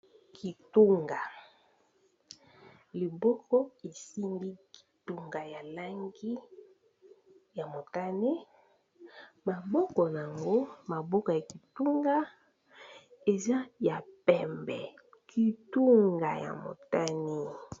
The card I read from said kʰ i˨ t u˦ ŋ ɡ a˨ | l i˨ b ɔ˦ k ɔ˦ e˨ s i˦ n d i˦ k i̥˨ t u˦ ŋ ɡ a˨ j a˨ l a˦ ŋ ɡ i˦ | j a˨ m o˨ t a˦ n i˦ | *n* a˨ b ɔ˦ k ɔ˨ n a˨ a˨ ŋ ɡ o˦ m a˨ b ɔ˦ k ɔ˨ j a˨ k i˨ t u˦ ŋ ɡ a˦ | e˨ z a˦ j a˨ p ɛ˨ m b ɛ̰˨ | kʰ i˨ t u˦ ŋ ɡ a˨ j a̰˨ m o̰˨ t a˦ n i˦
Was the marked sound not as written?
yes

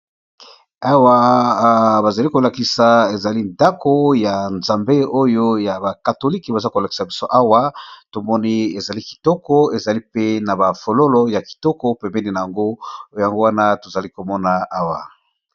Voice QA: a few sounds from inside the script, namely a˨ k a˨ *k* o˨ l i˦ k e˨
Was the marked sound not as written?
yes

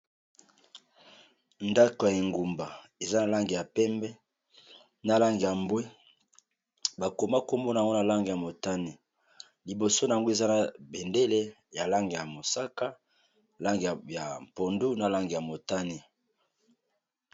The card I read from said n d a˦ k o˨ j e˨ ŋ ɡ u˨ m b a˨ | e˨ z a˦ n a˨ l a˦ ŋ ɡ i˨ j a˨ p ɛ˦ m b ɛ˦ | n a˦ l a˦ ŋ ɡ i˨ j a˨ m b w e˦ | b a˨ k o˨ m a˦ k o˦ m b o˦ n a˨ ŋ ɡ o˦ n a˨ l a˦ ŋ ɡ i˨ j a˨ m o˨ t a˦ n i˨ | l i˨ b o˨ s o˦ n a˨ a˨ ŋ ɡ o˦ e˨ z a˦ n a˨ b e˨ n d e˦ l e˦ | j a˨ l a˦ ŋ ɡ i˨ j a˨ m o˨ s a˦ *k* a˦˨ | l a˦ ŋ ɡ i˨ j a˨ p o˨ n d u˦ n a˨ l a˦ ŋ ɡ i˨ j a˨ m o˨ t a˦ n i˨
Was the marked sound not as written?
no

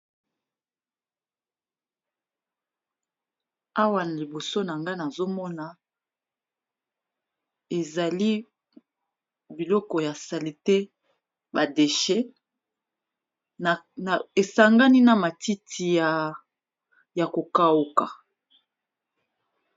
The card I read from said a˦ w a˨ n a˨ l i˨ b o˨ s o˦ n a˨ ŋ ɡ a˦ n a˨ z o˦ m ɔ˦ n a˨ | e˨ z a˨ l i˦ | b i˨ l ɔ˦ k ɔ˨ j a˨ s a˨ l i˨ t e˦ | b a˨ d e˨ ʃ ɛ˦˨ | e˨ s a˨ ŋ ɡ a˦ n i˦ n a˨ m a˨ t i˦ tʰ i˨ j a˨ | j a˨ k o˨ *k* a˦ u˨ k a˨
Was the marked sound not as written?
no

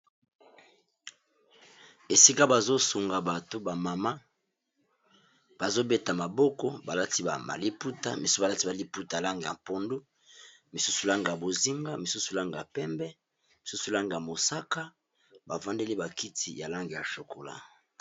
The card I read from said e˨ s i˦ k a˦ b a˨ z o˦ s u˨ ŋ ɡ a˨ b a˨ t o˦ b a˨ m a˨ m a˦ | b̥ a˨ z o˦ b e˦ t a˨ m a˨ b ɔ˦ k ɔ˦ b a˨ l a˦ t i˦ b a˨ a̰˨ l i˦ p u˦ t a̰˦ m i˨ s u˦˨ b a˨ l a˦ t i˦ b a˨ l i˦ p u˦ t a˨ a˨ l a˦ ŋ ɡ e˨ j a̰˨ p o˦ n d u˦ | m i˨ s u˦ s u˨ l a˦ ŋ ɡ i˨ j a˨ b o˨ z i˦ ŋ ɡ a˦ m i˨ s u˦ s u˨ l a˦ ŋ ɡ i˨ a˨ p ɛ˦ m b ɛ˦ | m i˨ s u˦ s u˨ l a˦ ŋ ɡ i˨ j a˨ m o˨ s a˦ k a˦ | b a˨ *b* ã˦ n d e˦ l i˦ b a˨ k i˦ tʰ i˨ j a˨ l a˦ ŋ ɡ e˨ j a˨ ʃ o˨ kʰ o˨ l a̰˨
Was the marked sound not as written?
yes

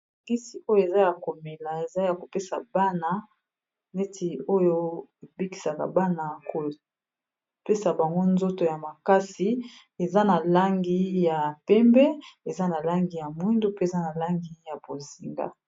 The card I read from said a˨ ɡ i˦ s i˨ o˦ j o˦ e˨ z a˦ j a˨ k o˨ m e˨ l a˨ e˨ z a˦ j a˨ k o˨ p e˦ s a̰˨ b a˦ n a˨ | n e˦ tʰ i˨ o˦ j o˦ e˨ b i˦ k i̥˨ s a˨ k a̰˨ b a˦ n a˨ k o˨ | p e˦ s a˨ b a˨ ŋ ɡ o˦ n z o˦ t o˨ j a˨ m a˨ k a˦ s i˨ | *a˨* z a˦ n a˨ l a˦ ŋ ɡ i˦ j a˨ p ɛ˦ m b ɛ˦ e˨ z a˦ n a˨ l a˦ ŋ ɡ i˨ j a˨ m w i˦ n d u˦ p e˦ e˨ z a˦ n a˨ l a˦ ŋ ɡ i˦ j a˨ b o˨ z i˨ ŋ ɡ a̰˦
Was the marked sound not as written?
yes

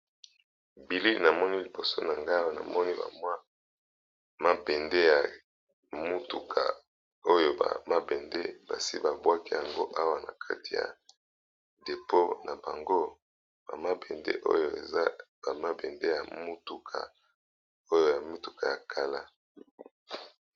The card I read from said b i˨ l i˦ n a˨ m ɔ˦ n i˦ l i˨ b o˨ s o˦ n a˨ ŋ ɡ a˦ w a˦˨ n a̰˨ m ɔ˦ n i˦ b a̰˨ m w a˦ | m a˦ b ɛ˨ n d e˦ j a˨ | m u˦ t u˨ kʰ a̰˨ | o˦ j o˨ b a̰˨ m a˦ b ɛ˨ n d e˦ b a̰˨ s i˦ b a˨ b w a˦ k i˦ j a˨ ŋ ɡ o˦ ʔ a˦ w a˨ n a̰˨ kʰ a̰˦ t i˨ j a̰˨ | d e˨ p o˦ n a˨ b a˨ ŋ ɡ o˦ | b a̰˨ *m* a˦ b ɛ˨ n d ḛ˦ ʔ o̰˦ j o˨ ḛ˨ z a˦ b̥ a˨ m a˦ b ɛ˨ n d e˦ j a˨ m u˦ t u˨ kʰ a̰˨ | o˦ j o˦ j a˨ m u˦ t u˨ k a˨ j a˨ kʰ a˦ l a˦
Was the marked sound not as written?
no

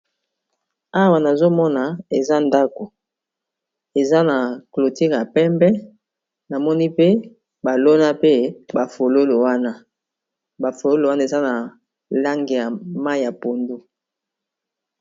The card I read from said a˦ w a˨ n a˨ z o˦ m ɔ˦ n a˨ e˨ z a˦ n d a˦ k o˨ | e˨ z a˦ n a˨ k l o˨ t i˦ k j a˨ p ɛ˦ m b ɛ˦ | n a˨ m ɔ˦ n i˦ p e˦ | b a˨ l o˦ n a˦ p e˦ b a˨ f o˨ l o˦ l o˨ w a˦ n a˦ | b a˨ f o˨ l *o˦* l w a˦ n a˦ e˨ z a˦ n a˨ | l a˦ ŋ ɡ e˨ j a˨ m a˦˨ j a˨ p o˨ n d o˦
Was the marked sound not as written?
no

